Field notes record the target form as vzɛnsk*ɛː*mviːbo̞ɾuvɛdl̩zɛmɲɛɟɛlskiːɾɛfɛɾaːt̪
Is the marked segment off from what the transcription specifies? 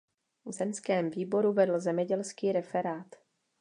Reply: no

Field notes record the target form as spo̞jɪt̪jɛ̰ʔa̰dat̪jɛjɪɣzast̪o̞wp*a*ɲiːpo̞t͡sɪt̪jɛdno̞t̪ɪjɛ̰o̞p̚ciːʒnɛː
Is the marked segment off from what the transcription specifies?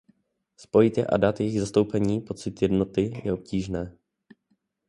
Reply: yes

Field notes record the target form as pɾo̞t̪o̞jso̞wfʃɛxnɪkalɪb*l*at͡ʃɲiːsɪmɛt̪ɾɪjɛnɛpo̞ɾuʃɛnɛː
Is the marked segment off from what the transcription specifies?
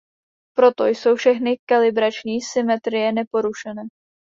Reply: yes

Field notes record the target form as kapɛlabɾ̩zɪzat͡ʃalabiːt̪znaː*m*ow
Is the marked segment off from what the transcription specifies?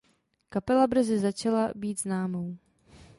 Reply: no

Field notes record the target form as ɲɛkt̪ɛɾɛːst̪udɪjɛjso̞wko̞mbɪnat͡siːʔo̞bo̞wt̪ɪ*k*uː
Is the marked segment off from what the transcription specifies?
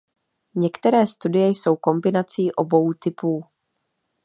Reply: yes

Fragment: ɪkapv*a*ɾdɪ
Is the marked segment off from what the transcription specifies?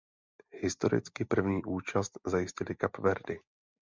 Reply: yes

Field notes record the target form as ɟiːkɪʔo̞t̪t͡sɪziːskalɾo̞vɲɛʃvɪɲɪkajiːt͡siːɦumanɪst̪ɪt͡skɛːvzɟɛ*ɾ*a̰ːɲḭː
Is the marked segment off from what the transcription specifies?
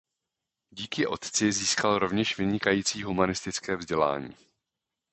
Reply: yes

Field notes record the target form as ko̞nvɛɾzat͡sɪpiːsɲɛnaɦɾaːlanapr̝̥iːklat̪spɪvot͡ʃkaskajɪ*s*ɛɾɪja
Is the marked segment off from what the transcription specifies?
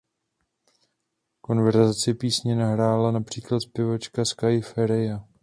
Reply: yes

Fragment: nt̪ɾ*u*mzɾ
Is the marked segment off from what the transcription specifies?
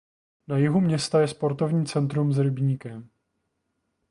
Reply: no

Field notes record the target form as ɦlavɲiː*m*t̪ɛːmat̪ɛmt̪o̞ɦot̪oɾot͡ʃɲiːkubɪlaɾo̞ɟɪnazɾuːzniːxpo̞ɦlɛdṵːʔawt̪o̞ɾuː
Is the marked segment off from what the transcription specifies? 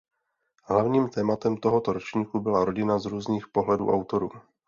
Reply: no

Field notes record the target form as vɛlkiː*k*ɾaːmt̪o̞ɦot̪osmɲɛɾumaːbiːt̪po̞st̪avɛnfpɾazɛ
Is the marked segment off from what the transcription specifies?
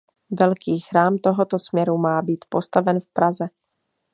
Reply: yes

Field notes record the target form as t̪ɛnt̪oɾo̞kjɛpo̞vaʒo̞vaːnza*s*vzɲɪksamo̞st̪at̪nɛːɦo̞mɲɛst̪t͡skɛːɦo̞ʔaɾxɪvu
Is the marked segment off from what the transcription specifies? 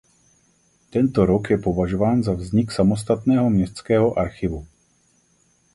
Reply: yes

